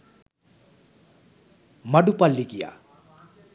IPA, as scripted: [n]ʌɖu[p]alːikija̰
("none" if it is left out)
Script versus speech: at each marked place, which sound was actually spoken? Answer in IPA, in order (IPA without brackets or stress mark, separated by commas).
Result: m, p